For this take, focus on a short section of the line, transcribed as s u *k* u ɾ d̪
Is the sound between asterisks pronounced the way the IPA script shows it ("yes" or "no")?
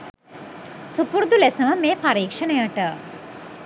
no